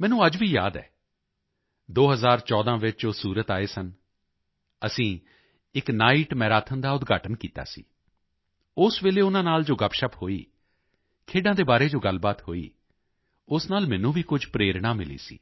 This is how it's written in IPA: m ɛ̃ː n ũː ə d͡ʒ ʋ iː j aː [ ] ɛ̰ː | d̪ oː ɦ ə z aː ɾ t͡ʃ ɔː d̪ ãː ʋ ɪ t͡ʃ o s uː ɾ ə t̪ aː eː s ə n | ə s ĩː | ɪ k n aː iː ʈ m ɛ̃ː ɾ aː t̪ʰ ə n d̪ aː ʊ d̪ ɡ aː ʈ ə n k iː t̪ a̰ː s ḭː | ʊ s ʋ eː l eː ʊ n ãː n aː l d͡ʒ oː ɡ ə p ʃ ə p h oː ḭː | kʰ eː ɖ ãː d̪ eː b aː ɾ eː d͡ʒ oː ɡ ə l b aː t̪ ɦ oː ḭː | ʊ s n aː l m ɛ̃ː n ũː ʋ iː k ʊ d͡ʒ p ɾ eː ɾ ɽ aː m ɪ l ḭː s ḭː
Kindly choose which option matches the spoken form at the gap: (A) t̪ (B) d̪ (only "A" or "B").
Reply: B